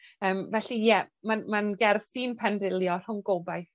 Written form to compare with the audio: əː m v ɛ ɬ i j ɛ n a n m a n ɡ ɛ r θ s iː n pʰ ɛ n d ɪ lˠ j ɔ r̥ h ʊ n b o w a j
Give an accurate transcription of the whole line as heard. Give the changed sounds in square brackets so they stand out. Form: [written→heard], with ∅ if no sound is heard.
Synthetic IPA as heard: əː m v ɛ ɬ i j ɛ [n→m] a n m a n ɡ ɛ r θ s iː n pʰ ɛ n d ɪ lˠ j ɔ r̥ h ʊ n [b→ɡ] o [w→b] a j

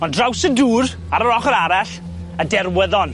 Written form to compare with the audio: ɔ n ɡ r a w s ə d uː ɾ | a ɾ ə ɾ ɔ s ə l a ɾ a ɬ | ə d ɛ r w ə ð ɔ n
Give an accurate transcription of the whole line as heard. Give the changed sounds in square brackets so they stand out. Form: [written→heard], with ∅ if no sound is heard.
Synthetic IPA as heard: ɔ n [ɡ→d] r a w s ə d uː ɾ | a ɾ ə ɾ ɔ [s→χ] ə [l→ɾ] a ɾ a ɬ | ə d ɛ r w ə ð ɔ n

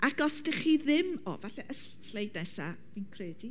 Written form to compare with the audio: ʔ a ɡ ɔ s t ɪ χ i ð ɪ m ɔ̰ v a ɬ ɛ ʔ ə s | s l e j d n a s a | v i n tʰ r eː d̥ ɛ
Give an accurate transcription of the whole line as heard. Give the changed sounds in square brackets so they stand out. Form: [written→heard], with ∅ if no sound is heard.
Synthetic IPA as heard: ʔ a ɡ ɔ s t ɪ χ i ð ɪ m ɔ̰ v a ɬ ɛ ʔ ə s | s l e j d n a s a | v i n [tʰ→kʰ] r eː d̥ [ɛ→i]

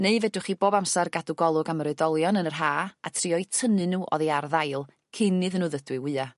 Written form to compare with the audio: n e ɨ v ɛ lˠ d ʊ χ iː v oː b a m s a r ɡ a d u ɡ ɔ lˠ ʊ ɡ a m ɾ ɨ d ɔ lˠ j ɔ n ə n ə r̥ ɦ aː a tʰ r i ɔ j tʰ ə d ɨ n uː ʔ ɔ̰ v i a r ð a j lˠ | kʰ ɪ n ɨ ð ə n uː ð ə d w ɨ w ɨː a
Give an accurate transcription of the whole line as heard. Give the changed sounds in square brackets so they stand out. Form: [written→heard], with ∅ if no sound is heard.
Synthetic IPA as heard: n e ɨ v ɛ [lˠ→∅] d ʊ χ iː [v→b] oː b a m s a r ɡ a d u ɡ ɔ lˠ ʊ ɡ a m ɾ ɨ d ɔ lˠ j ɔ n ə n ə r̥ ɦ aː a tʰ r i ɔ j tʰ ə [d→n] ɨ n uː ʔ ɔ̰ [v→ð] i a r ð a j lˠ | kʰ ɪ n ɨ ð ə n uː ð ə d w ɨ w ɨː a

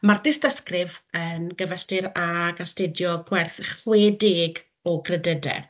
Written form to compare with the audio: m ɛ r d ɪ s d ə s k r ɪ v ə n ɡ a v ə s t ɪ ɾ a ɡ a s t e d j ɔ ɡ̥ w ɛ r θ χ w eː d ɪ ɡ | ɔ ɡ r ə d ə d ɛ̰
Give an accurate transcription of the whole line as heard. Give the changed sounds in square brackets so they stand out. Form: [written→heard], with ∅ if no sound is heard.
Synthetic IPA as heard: m [ɛ→a] r d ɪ s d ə s k r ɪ v ə n ɡ [a→ə] v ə s t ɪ ɾ a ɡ a s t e d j ɔ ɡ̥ w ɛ r θ χ w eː d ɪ ɡ | ɔ ɡ r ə d ə d ɛ̰

